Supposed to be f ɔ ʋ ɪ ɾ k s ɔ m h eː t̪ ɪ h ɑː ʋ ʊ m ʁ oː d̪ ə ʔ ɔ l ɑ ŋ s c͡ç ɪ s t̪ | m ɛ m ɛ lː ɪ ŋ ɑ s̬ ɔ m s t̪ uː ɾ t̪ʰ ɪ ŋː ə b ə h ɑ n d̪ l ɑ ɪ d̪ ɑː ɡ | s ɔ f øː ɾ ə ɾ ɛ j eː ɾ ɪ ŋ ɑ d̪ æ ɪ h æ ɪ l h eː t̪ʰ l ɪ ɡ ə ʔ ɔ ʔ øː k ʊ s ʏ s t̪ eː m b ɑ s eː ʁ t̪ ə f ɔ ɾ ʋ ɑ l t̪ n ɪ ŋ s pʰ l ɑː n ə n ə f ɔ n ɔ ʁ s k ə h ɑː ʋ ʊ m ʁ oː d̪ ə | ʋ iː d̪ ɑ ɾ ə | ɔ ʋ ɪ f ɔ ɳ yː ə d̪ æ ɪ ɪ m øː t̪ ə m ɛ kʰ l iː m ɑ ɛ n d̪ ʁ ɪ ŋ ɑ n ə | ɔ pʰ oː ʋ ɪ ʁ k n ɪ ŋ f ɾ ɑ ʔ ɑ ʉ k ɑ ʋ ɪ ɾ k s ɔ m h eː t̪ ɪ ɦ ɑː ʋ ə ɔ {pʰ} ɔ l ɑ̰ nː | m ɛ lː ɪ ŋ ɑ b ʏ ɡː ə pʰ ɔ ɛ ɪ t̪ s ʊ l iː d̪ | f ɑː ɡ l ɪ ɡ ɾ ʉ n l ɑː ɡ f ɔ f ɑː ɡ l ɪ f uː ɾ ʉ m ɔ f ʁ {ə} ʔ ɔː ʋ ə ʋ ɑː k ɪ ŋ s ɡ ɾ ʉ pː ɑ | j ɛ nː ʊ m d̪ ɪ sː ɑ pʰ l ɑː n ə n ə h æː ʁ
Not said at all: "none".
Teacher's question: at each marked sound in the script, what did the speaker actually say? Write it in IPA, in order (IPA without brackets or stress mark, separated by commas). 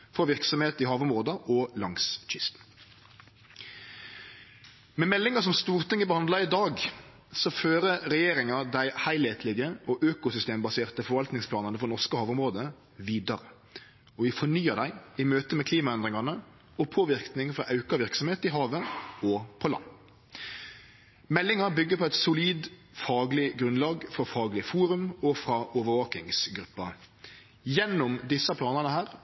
pʰ, ɑ